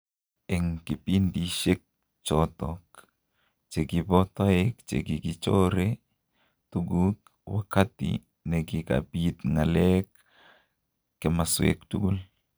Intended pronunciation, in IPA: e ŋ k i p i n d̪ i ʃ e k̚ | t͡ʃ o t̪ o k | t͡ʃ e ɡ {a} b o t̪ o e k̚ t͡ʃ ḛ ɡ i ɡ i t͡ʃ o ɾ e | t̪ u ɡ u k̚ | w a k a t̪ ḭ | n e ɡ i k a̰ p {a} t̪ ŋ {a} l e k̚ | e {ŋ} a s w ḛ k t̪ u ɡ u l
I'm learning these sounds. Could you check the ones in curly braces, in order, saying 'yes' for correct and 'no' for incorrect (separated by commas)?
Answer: no, no, yes, no